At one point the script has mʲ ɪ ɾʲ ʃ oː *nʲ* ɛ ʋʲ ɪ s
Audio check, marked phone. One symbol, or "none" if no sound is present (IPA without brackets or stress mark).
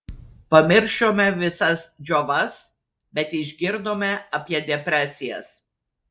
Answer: mʲ